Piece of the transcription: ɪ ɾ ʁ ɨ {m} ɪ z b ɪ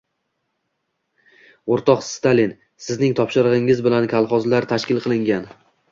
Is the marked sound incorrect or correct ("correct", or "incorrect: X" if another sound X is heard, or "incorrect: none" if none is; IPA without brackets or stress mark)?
incorrect: ŋ